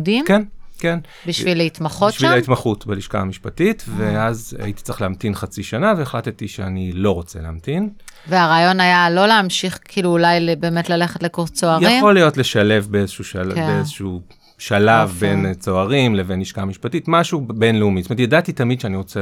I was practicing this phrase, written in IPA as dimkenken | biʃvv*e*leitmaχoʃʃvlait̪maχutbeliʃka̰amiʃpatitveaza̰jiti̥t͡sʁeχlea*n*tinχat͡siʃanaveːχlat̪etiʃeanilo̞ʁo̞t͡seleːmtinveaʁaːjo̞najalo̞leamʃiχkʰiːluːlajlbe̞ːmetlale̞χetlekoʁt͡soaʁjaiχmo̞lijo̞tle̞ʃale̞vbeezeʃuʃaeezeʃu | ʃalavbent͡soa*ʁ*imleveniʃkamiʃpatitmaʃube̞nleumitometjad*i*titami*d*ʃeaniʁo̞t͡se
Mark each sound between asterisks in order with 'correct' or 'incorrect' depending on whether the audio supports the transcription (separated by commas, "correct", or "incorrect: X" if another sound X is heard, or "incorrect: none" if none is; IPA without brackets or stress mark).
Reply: incorrect: i, incorrect: m, correct, incorrect: a, correct